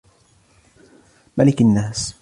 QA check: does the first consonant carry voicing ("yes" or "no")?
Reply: yes